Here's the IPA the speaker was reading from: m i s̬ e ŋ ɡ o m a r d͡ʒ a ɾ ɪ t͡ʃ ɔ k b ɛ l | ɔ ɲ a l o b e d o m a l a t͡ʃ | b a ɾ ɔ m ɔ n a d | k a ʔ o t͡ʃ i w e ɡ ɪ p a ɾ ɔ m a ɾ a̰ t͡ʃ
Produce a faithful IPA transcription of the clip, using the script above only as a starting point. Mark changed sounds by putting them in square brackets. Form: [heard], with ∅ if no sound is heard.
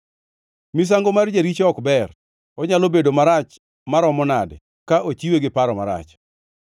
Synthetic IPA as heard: m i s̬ [a] ŋ ɡ o m a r d͡ʒ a ɾ [i] t͡ʃ ɔ k b ɛ [r] | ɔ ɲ a l o b e d o m a [ɾ] a t͡ʃ | [m] a ɾ ɔ m ɔ n a d | k a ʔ o t͡ʃ i w e ɡ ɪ p a ɾ ɔ m a ɾ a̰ t͡ʃ

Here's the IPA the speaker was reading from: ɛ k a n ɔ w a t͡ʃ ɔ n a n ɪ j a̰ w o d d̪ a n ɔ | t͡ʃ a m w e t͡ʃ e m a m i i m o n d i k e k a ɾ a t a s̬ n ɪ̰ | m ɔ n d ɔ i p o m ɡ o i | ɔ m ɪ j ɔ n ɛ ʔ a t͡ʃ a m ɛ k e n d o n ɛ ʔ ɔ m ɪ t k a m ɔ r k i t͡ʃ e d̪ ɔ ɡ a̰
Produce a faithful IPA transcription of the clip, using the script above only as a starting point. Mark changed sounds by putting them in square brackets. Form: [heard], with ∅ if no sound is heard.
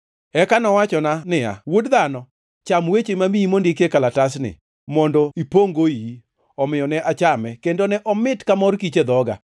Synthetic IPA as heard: ɛ k a n ɔ w a t͡ʃ ɔ n a n ɪ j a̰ w o d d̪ a n ɔ | t͡ʃ a m w e t͡ʃ e m a m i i m o n d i k e k a [l] a t a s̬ n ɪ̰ | m ɔ n d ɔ i p o [ŋ] ɡ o i | ɔ m ɪ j ɔ n ɛ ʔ a t͡ʃ a m ɛ k e n d o n ɛ ʔ ɔ m ɪ t k a m ɔ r k i t͡ʃ e d̪ ɔ ɡ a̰

